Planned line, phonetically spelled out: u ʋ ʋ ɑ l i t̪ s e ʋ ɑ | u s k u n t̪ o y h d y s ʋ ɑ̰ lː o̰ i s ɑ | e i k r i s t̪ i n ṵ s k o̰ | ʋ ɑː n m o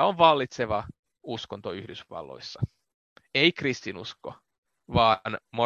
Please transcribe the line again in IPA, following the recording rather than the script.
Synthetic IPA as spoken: o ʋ ʋ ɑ lː i t̪ s e ʋ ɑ | u s k o n t̪ o y h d y s ʋ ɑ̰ lː o̰ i sː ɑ | e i k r i s t̪ i n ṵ s k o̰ | ʋ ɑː n m o